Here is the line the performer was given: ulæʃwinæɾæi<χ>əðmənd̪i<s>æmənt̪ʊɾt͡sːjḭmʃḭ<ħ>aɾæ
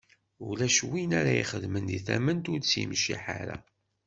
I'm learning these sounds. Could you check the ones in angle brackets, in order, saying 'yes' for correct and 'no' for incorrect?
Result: yes, no, yes

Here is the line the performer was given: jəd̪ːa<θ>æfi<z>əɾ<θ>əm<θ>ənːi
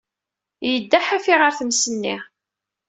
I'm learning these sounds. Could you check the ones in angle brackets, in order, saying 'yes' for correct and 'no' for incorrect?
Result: no, no, yes, no

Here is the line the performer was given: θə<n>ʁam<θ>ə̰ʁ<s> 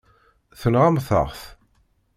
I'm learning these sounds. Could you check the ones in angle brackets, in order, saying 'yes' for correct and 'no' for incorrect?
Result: yes, yes, no

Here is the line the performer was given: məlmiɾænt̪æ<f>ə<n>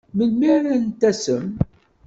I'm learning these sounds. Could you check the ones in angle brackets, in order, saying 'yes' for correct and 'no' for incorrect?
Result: no, no

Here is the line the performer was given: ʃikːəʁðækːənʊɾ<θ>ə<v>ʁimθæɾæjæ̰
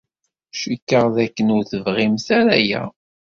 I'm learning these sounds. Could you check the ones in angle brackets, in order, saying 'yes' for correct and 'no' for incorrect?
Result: yes, yes

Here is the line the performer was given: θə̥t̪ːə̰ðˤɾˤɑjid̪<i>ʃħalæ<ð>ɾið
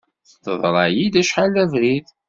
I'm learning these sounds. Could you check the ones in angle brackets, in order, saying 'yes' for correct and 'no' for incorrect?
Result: no, no

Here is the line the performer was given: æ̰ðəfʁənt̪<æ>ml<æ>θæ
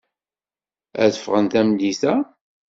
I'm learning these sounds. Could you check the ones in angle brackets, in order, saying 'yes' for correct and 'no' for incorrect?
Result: yes, no

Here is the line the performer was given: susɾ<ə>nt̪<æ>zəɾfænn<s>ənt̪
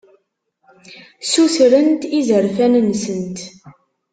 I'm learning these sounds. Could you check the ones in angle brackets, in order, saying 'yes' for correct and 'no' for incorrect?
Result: yes, no, yes

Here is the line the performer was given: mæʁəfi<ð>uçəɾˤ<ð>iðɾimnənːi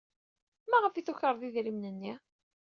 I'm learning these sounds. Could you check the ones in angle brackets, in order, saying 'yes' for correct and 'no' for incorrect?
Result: no, yes

